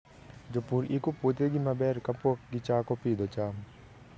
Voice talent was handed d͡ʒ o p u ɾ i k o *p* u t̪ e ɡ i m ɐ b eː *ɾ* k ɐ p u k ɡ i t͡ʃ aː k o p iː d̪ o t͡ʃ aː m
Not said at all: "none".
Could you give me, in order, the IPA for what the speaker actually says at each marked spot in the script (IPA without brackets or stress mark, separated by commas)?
p, ɾ